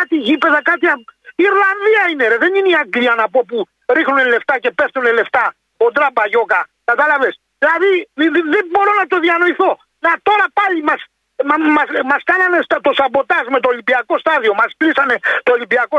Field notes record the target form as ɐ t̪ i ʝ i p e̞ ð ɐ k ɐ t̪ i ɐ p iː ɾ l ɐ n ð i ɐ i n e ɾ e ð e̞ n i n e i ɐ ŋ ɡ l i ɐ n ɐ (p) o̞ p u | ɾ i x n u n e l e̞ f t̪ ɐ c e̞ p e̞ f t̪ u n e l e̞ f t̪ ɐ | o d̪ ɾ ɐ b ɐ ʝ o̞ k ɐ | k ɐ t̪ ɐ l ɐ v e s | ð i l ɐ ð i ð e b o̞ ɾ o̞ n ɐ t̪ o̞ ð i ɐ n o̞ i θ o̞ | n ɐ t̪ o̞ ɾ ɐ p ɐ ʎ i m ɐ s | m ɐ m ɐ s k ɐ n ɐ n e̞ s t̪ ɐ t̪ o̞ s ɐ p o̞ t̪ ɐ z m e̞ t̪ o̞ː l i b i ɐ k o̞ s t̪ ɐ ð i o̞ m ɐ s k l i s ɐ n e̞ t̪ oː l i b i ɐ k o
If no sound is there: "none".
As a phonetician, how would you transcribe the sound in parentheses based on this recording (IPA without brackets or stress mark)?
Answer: p